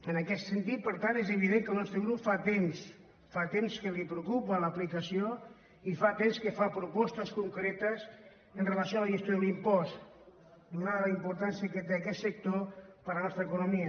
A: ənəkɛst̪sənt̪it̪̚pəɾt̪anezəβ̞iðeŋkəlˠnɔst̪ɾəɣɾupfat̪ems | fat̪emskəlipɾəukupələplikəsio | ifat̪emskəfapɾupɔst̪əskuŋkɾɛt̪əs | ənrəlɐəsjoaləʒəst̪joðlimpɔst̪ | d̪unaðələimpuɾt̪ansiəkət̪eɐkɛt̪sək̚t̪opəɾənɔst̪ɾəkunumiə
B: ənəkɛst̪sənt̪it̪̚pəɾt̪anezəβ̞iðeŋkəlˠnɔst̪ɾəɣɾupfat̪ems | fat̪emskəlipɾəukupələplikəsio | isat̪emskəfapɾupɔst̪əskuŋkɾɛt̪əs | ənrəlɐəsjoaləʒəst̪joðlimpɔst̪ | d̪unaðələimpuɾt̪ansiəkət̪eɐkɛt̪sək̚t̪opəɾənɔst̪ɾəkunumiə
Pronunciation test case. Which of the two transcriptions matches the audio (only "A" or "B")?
A